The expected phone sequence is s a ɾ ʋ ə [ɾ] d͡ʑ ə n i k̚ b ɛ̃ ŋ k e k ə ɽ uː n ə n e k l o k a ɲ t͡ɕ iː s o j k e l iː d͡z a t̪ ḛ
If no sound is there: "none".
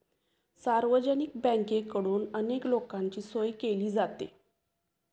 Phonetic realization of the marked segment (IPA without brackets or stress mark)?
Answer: none